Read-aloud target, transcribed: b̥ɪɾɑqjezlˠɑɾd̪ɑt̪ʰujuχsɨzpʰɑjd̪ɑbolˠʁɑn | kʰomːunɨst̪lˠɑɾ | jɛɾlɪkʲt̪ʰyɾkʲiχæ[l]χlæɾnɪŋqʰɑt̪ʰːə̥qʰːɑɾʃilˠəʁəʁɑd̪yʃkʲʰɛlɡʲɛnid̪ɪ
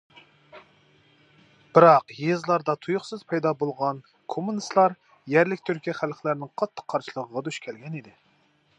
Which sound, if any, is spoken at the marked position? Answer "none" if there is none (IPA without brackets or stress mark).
l